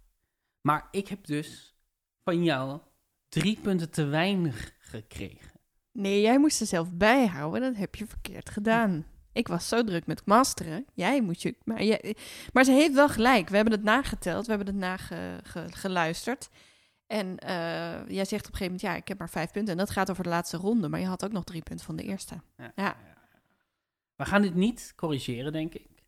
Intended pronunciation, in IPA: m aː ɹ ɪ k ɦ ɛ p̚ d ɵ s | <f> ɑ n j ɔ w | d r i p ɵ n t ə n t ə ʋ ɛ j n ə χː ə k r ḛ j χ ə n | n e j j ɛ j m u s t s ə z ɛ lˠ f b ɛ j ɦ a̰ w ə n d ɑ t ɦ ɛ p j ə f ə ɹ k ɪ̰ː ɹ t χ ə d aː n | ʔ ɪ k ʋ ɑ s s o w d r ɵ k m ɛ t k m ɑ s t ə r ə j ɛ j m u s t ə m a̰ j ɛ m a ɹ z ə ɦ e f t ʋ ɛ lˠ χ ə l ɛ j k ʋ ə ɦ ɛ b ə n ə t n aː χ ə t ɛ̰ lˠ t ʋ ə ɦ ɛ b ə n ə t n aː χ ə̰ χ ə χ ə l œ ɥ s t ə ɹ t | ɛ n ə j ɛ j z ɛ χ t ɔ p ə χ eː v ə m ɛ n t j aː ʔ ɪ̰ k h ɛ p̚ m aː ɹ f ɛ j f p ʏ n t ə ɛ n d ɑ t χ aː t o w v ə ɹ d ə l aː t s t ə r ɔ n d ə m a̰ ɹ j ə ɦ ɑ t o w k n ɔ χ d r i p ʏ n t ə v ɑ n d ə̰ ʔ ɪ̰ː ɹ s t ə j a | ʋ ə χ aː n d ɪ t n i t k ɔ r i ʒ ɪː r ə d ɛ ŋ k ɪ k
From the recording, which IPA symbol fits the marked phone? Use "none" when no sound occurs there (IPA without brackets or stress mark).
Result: f